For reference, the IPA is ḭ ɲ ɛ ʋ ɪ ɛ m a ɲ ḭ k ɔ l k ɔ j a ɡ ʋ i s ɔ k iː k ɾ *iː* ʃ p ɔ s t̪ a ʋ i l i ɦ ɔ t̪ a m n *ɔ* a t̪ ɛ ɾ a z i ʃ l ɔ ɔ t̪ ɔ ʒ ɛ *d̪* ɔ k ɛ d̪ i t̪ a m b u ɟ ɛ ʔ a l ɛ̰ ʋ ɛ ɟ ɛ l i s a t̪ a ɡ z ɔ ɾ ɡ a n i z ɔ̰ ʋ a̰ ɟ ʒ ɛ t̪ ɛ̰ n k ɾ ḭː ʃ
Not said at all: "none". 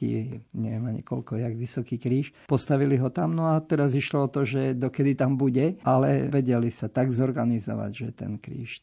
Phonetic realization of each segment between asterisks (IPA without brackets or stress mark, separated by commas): iː, ɔ, d̪